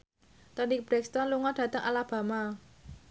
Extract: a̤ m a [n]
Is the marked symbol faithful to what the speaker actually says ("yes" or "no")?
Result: no